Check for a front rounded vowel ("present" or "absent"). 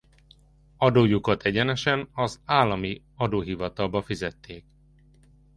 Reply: absent